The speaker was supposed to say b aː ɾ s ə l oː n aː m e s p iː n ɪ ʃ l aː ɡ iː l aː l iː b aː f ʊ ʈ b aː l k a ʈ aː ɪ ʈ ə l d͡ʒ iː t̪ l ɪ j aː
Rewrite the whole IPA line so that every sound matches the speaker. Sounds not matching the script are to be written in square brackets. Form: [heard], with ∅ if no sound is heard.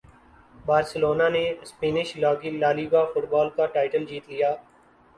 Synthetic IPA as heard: b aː ɾ s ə l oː n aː [n] e s p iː n ɪ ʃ l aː ɡ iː l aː l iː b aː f ʊ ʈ b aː l k a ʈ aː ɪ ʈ ə l d͡ʒ iː t̪ l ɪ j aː